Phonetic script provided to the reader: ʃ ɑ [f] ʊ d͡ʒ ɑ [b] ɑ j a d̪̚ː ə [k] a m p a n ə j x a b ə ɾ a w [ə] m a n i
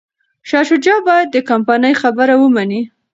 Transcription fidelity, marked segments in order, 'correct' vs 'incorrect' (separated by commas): incorrect, correct, correct, correct